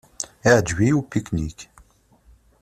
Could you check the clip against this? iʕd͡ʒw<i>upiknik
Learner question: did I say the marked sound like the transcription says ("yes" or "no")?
yes